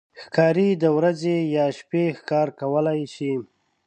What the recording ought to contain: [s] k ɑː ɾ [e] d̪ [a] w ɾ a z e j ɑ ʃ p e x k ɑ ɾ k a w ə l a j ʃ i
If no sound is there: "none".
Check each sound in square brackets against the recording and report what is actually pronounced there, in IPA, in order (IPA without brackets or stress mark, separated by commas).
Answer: x, i, ə